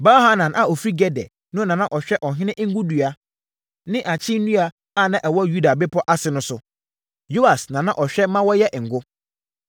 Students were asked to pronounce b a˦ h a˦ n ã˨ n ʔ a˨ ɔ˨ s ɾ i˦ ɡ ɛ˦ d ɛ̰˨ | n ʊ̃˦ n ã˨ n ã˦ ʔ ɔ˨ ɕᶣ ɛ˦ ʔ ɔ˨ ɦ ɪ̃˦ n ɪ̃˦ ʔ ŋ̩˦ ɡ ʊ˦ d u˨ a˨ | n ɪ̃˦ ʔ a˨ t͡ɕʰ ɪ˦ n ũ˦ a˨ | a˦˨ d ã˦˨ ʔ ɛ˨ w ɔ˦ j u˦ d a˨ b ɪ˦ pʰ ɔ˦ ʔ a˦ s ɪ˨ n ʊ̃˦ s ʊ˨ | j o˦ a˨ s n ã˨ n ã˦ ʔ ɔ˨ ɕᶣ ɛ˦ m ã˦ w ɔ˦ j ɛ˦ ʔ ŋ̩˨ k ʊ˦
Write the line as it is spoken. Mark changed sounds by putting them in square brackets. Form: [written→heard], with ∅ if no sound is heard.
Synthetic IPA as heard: b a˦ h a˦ n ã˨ n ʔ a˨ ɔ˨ [s→f] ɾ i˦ ɡ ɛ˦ d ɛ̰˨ | n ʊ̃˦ n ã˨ n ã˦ ʔ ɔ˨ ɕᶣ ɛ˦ ʔ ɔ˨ ɦ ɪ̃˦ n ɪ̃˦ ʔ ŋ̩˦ ɡ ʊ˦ d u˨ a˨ | n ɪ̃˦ ʔ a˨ t͡ɕʰ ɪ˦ n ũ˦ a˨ | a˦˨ [d→n] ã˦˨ ʔ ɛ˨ w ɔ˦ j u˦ d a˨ b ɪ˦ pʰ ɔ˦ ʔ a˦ s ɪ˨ n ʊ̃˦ s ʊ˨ | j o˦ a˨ s n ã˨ n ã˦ ʔ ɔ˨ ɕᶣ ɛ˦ m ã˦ w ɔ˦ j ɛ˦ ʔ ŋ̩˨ [k→ɡ] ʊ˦